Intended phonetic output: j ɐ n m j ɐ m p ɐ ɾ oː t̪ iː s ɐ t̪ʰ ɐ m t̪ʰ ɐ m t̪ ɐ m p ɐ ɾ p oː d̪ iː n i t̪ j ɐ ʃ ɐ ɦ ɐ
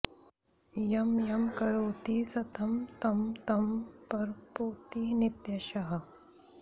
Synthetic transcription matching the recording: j ɐ m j ɐ m k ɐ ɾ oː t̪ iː s ɐ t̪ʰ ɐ m t̪ ɐ m t̪ ɐ m p ɐ ɾ p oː t̪ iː n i t̪ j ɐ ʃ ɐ ɦ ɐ

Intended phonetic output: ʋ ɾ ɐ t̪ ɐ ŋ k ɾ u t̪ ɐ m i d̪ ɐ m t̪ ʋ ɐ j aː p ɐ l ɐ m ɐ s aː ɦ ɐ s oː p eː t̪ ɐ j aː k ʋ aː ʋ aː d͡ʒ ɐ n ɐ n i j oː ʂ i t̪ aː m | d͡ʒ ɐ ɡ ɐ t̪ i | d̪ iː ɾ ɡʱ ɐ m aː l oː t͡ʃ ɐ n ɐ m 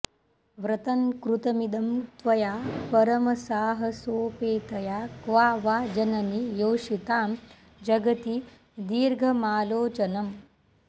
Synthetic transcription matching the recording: ʋ ɾ ɐ t̪ ɐ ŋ k ɾ u t̪ ɐ m i d̪ ɐ m t̪ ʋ ɐ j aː p ɐ ɾ ɐ m ɐ s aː ɦ ɐ s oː p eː t̪ ɐ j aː k ʋ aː ʋ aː d͡ʒ ɐ n ɐ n i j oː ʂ i t̪ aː m | d͡ʒ ɐ ɡ ɐ t̪ i | d̪ iː ɾ ɡʱ ɐ m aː l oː t͡ʃ ɐ n ɐ m

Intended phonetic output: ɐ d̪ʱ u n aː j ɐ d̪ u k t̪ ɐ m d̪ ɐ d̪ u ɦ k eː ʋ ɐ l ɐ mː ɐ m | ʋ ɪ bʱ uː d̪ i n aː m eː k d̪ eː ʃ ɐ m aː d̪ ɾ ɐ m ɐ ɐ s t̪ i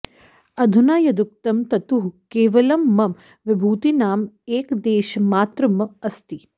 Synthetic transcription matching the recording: ɐ d̪ʱ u n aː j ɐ d̪ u k t̪ ɐ m t̪ ɐ t̪ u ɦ k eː ʋ ɐ l ɐ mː ɐ m | ʋ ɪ bʱ uː t̪ i n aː m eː k d̪ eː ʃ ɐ m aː t̪ ɾ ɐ m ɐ ɐ s t̪ i

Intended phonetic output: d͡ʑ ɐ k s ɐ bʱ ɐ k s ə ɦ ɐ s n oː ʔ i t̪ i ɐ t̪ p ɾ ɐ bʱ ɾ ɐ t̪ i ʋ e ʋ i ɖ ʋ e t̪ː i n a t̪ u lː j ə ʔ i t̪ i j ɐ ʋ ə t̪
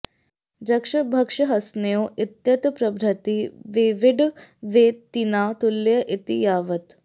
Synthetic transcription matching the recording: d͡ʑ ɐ k ʂ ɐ bʱ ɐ k ʂ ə ɦ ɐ s n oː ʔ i t̪ j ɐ t̪ p ɾ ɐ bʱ ɾ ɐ t̪ i ʋ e ʋ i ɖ ʋ e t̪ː i n a t̪ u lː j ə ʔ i t̪ i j a ʋ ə t̪

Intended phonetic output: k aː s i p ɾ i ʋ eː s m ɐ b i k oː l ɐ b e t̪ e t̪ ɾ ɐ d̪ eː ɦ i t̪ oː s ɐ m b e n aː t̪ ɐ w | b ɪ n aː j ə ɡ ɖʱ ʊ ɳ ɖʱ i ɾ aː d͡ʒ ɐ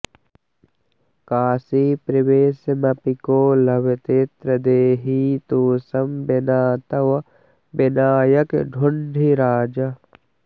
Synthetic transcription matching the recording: k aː s i p ɾ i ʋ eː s m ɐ p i k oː l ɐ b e t̪ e t̪ ɾ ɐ d̪ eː ɦ i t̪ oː s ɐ m b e n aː t̪ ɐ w | b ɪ n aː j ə k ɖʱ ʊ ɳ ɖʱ i ɾ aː d͡ʒ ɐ

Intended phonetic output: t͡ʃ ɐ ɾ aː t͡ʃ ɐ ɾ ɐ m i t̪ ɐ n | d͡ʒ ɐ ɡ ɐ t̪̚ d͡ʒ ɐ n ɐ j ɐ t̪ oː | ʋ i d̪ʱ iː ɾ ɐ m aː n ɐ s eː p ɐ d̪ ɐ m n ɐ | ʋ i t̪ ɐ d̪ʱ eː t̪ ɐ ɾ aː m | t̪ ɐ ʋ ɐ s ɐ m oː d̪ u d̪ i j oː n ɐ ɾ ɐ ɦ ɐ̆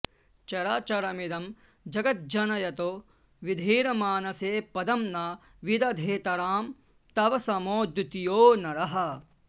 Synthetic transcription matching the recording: t͡ʃ ɐ ɾ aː t͡ʃ ɐ ɾ ɐ m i d̪ ɐ m | d͡ʒ ɐ ɡ ɐ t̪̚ d͡ʒ ɐ n ɐ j ɐ t̪ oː | ʋ i d̪ʱ iː ɾ ɐ m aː n ɐ s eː p ɐ d̪ ɐ m n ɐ | ʋ i d̪ ɐ d̪ʱ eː t̪ ɐ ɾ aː m | t̪ ɐ ʋ ɐ s ɐ m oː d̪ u t̪ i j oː n ɐ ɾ ɐ ɦ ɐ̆

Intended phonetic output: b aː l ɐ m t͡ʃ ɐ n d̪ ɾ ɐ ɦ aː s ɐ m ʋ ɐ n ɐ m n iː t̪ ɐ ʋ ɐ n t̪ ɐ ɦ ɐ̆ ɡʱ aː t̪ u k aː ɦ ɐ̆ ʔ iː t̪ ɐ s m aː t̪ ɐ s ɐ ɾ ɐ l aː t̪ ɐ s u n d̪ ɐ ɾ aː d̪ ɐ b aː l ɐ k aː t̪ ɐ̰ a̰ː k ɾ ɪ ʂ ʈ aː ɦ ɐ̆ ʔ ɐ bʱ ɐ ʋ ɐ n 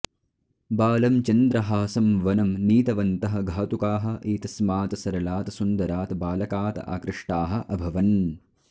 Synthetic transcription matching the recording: b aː l ɐ m t͡ʃ ɐ n d̪ ɾ ɐ ɦ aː s ɐ m ʋ ɐ n ɐ m n iː t̪ ɐ ʋ ɐ n t̪ ɐ ɦ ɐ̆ ɡʱ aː t̪ u k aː ɦ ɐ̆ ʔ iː t̪ ɐ s m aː t̪ ɐ s ɐ ɾ ɐ l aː t̪ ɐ s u n d̪ ɐ ɾ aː t̪ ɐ b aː l ɐ k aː t̪ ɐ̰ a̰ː k ɾ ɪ ʂ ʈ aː ɦ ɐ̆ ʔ ɐ bʱ ɐ ʋ ɐ n

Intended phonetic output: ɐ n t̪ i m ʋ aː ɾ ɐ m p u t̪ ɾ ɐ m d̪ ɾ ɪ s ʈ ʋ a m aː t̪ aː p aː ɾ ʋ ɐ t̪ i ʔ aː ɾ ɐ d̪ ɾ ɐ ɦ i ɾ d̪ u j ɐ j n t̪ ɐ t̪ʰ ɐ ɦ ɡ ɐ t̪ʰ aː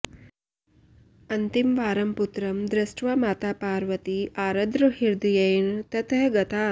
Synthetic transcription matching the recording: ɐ n t̪ i m ʋ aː ɾ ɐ m p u t̪ ɾ ɐ m d̪ ɾ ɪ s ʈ ʋ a m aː t̪ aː p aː ɾ ʋ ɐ t̪ i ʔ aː ɾ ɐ d̪ ɾ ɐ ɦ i ɾ d̪ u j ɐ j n t̪ ɐ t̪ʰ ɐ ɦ ɡ ɐ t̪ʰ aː

